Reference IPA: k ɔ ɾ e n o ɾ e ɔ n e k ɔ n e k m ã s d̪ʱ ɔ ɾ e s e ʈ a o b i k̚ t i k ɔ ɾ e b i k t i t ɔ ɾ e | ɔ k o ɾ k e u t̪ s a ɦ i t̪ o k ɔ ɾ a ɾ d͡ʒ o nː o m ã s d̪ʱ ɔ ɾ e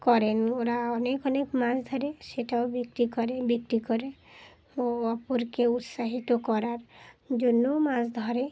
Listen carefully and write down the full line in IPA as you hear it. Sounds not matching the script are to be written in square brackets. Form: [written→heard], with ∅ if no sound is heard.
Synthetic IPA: k ɔ ɾ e n o ɾ [e→a] ɔ n e k ɔ n e k m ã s d̪ʱ ɔ ɾ e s e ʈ a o b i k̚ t i k ɔ ɾ e b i k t i [t→k] ɔ ɾ e | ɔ [k→p] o ɾ k e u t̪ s a ɦ i t̪ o k ɔ ɾ a ɾ d͡ʒ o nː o m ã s d̪ʱ ɔ ɾ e